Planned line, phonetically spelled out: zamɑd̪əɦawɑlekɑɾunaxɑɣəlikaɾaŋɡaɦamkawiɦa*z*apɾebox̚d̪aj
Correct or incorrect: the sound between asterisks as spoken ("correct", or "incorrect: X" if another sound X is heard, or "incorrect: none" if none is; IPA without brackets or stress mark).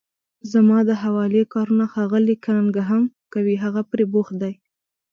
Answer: incorrect: ɣ